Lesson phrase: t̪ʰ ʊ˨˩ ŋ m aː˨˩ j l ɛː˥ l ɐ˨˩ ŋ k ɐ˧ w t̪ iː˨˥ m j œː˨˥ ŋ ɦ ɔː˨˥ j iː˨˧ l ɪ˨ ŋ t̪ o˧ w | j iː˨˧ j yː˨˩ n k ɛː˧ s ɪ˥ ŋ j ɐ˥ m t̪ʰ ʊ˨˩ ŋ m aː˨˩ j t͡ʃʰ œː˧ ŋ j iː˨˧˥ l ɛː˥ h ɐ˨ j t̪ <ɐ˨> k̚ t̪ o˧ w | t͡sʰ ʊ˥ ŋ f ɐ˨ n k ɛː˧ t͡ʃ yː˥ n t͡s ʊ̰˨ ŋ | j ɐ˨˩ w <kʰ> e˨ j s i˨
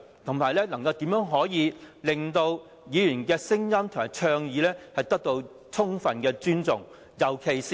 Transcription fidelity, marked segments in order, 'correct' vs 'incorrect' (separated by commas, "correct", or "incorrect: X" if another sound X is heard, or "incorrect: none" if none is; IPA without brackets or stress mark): incorrect: ɐ˥, correct